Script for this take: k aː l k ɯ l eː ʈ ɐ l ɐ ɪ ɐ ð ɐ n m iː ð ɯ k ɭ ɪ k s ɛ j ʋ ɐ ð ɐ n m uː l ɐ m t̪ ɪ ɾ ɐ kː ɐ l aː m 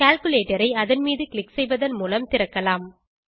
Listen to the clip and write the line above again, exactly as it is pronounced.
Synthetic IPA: k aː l k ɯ l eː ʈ ɐ ɾ ɐ ɪ ɐ ð ɐ n m iː ð ɯ k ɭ ɪ k s ɛ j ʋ ɐ ð ɐ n m uː l ɐ m t̪ ɪ ɾ ɐ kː ɐ l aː m

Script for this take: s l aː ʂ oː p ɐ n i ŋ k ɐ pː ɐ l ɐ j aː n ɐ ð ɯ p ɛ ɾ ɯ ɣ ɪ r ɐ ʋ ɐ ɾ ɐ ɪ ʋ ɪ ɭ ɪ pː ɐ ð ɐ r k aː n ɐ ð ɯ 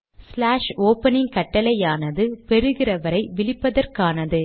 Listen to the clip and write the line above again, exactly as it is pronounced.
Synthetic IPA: s l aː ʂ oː p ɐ n ɪ ŋ k ɐ ʈː ɐ l ɐ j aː n ɐ ð ɯ p ɛ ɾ ɯ ɣ ɪ r ɐ ʋ ɐ ɾ ɐ ɪ ʋ ɪ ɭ ɪ pː ɐ ð ɐ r k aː n ɐ ð ɯ

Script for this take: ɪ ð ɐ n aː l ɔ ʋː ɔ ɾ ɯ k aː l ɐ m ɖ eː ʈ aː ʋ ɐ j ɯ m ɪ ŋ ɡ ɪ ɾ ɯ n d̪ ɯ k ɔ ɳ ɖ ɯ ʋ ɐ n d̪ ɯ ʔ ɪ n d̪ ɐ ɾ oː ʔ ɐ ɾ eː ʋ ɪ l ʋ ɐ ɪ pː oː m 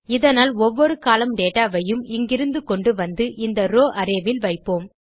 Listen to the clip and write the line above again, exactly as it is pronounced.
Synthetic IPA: ɪ ð ɐ n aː l ɔ ʋː ɔ ɾ ɯ k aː l ɐ m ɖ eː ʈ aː ʋ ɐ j ɯ m ɪ ŋ ɡ ɪ ɾ ɯ n d̪ ɯ k ɔ ɳ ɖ ɯ ʋ ɐ n d̪ ɯ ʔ ɪ n d̪ ɐ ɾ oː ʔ ɐ ɾ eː ʋ ɪ l ʋ ɐ ɪ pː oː m

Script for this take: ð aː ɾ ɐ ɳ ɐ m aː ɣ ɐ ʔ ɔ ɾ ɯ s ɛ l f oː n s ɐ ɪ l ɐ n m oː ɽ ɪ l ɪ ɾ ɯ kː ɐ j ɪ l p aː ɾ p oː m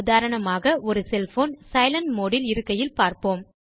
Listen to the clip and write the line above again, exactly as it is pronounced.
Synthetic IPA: ð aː ɾ ɐ ɳ ɐ m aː ɣ ɐ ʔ ɔ ɾ ɯ s ɛ l f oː n s ɐ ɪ l ɐ n m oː ɽ ɪ l ɪ ɾ ɯ kː ɐ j ɪ l p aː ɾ p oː m

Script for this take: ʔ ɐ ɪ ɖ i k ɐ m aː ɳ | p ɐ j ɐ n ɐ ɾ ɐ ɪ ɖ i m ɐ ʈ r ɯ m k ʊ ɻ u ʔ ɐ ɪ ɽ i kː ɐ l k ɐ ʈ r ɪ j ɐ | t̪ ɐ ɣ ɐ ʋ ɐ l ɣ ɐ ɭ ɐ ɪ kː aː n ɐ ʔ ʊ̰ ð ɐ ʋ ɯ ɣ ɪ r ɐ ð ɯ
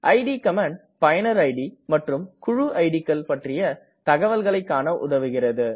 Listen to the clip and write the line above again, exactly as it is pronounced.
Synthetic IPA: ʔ ɐ ɪ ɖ i k ɐ m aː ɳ | p ɐ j ɐ n ɐ ɾ ɐ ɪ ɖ i m ɐ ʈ r ɯ m k ʊ ɻ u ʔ ɐ ɪ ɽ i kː ɐ l p ɐ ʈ r ɪ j ɐ | t̪ ɐ ɣ ɐ ʋ ɐ l ɣ ɐ ɭ ɐ ɪ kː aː n ɐ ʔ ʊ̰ ð ɐ ʋ ɯ ɣ ɪ r ɐ ð ɯ

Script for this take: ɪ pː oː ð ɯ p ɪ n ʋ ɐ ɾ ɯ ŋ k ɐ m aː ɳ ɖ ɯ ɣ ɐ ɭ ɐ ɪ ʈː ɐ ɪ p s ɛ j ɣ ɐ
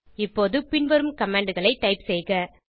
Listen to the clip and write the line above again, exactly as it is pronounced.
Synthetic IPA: ɪ pː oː ð ɯ p ɪ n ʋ ɐ ɾ ɯ m k ɐ m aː ɳ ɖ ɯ ɣ ɐ ɭ ɐ ɪ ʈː ɐ ɪ p s ɛ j ɣ ɐ

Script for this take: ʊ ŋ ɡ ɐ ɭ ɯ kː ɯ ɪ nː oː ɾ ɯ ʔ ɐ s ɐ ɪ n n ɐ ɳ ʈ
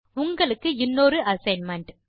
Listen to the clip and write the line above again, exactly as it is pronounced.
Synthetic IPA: ʊ ŋ ɡ ɐ ɭ ɯ kː ɯ ɪ nː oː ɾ ɯ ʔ ɐ s ɐ ɪ n m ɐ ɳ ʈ

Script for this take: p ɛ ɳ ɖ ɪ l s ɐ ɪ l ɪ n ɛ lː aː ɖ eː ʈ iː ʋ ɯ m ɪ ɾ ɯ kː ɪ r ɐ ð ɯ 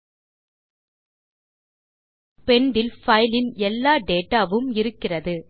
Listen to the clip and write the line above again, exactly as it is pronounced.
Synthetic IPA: p ɛ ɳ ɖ ɪ l f ɐ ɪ l ɪ n ɛ lː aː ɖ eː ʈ aː ʋ ɯ m ɪ ɾ ɯ kː ɪ r ɐ ð ɯ

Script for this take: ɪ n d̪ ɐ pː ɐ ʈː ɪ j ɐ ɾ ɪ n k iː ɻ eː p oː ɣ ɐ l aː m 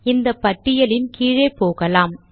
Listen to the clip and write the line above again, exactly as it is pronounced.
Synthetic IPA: ɪ n d̪ ɐ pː ɐ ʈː ɪ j ɐ l ɪ n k iː ɻ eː p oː ɣ ɐ l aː m

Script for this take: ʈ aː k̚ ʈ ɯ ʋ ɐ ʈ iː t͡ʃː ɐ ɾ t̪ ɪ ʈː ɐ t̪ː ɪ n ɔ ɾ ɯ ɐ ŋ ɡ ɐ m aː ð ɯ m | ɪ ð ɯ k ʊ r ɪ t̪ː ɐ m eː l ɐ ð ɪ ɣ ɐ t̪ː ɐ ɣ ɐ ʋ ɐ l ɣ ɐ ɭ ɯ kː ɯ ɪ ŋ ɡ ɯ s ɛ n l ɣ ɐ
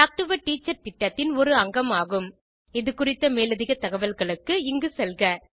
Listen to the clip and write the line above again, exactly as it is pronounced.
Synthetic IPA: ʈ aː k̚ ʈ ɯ ʋ ɐ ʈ iː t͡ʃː ɐ ɾ t̪ ɪ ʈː ɐ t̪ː ɪ n ɔ ɾ ɯ ɐ ŋ ɡ ɐ m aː ɣ ɯ m | ɪ ð ɯ k ʊ r ɪ t̪ː ɐ m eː l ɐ ð ɪ ɣ ɐ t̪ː ɐ ɣ ɐ ʋ ɐ l ɣ ɐ ɭ ɯ kː ɯ ɪ ŋ ɡ ɯ s ɛ l ɣ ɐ

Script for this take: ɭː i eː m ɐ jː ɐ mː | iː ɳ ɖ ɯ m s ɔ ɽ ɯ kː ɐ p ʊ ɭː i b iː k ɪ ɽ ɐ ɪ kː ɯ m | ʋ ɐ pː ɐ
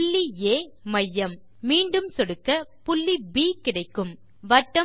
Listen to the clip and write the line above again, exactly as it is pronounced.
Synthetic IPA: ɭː i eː m ɐ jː ɐ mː | iː ɳ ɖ ɯ m s ɔ ɽ ɯ kː ɐ p ʊ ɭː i b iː k ɪ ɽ ɐ ɪ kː ɯ m | ʋ ɐ ʈː ɐ

